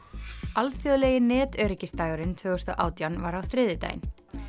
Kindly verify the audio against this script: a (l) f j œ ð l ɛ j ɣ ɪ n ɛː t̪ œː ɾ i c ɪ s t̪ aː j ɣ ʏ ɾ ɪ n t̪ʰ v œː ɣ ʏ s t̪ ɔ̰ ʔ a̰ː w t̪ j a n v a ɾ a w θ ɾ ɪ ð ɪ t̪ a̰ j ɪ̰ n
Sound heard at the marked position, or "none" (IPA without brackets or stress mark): l